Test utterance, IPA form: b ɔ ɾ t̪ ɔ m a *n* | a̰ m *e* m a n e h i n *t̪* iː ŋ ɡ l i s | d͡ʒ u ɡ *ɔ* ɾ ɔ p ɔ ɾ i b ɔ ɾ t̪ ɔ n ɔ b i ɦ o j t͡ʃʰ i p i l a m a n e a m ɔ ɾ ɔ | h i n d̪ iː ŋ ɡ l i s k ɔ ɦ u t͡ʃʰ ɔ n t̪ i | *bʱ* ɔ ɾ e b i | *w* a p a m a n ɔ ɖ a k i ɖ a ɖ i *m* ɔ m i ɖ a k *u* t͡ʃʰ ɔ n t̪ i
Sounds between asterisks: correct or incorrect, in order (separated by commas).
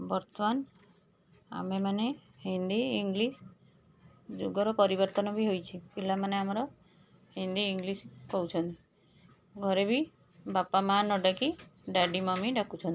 correct, correct, incorrect, correct, incorrect, incorrect, correct, correct